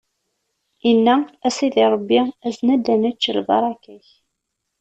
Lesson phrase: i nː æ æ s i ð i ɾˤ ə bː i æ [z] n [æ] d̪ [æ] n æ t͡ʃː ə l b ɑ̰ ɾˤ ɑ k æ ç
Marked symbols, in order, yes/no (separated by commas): yes, yes, yes